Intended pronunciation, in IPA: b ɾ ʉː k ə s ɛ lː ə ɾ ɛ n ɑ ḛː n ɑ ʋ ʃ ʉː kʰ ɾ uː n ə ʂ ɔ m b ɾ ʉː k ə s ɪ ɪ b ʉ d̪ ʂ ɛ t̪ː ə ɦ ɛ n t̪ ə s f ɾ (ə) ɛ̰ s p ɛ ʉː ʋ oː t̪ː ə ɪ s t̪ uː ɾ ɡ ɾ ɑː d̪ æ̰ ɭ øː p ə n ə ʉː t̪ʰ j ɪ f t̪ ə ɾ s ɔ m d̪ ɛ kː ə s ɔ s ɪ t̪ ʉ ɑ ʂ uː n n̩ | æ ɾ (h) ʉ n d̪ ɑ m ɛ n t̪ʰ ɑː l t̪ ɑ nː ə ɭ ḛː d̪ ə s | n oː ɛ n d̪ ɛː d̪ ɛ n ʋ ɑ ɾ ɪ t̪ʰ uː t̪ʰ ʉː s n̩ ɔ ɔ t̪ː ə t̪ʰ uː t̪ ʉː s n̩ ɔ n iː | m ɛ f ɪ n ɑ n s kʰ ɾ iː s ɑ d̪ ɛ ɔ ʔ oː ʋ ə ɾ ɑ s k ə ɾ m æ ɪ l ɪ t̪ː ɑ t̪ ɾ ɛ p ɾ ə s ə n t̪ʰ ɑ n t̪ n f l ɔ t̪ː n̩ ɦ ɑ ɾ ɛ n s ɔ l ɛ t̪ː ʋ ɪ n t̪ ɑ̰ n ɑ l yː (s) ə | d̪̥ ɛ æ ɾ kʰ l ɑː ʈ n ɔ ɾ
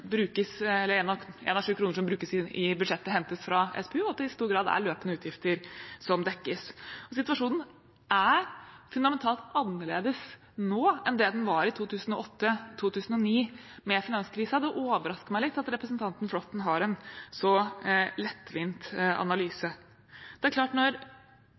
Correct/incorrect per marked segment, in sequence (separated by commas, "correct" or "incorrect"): incorrect, incorrect, correct